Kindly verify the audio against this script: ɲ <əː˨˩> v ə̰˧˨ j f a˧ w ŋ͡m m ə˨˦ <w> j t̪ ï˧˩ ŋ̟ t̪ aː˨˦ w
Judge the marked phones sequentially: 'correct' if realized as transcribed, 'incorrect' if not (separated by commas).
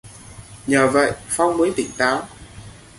correct, incorrect